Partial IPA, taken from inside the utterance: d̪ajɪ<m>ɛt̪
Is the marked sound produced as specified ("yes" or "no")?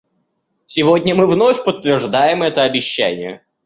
yes